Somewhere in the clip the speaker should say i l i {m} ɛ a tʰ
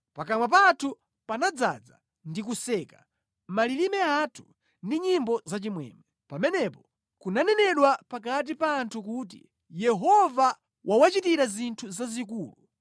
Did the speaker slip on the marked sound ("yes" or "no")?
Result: no